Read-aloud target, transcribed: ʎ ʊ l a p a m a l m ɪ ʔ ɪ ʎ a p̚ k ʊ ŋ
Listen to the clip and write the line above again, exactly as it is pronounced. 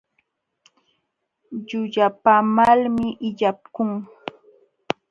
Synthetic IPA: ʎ ʊ ʎ a p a m a l m ɪ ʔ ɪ ʎ a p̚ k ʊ ŋ